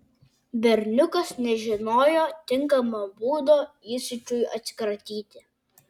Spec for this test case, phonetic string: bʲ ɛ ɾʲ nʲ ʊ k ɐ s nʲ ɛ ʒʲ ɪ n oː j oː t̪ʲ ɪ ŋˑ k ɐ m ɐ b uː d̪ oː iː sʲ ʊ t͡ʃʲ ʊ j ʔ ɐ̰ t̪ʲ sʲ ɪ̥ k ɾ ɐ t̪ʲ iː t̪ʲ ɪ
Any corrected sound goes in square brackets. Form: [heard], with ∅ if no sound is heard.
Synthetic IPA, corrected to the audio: bʲ ɛ ɾʲ nʲ ʊ k ɐ s nʲ ɛ ʒʲ ɪ n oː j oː t̪ʲ ɪ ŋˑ k ɐ m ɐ b uː d̪ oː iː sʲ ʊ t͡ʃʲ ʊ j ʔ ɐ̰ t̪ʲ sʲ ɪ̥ k ɾ ɐ t̪ʲ iː t̪ʲ ɪ